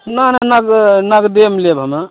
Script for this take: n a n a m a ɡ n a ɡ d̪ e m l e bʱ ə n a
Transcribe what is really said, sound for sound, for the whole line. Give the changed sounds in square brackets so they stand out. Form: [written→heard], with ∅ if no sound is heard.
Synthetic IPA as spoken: n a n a [m→n] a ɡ n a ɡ d̪ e m l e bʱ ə [n→m] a